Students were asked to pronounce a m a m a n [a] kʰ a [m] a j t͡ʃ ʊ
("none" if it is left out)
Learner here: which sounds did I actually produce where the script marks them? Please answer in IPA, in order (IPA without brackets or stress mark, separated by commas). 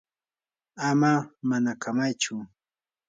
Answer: a, m